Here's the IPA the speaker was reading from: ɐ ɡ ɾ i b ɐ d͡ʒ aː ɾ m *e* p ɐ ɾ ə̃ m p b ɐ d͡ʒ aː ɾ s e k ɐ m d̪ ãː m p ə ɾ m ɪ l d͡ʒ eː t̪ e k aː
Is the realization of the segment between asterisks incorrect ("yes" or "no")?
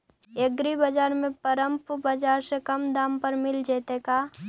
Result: yes